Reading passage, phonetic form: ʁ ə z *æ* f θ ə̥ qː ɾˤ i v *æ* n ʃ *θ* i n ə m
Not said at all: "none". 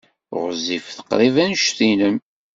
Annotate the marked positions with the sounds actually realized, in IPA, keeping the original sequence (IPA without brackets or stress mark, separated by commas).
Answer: i, æ, θ